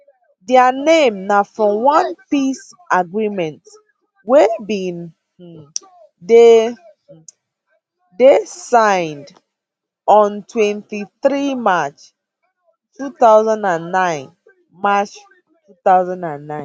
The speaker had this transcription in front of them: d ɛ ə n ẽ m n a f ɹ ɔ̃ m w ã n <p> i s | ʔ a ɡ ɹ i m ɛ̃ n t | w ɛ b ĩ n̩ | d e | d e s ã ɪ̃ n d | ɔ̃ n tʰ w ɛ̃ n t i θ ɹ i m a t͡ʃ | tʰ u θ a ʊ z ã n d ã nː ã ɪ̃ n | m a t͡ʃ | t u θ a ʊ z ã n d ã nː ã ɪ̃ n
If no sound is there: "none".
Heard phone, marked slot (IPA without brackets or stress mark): p